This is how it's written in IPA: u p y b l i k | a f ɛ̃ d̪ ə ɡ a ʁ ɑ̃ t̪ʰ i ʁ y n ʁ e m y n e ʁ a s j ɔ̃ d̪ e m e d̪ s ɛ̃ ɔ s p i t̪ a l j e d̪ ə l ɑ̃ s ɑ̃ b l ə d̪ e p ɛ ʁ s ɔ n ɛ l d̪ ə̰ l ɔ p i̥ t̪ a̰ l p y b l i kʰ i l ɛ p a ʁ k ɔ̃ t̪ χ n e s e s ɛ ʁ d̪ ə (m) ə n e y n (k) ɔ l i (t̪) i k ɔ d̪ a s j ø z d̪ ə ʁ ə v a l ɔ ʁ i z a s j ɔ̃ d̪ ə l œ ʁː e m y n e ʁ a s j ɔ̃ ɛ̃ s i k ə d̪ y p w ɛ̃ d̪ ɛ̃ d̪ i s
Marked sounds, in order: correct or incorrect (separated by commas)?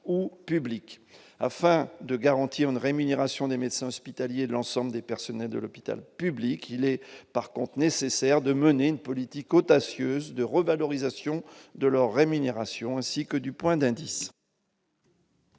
correct, incorrect, correct